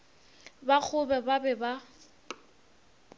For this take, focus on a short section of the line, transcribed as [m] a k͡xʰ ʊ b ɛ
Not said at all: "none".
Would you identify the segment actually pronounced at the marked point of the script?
b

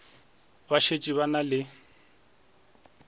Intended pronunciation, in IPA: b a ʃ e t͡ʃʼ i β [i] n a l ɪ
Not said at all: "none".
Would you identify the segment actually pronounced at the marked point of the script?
a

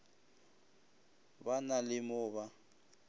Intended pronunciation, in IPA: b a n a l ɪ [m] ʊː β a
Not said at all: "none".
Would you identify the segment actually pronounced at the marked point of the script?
m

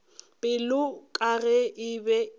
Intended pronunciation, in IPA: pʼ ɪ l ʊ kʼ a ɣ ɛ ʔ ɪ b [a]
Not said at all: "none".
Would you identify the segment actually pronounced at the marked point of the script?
ɛ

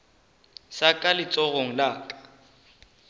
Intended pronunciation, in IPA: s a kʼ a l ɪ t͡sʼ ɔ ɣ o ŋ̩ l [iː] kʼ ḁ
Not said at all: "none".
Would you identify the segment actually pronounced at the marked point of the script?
aː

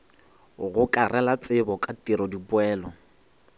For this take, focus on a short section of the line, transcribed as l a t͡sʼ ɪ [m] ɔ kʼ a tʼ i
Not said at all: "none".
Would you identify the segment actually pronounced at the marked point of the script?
b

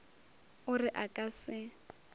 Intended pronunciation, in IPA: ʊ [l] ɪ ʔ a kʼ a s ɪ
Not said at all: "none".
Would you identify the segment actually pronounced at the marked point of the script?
r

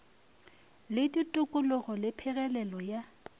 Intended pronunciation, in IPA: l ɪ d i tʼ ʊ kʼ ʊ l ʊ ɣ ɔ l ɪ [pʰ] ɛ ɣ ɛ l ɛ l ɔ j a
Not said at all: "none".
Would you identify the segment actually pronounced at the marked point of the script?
pʰ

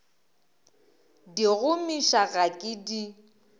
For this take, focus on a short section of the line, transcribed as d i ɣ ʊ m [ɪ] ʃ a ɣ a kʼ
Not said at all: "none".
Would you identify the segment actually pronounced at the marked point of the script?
i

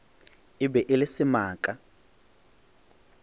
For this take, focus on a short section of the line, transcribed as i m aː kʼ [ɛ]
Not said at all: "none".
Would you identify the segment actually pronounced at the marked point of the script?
a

